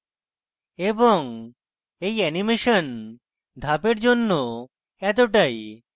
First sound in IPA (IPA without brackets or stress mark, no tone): e